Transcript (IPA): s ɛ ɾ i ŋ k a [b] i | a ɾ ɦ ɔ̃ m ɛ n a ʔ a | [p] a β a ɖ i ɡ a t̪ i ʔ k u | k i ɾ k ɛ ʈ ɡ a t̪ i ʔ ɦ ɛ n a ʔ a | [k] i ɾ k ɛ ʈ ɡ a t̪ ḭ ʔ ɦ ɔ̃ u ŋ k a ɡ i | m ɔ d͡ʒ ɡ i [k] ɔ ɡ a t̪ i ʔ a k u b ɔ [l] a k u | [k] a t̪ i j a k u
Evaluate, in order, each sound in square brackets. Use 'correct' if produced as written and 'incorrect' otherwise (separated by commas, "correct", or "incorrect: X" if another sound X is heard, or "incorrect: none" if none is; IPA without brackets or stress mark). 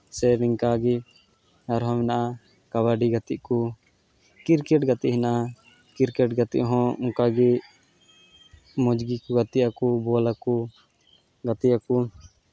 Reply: incorrect: ɡ, incorrect: k, correct, correct, correct, incorrect: ɡ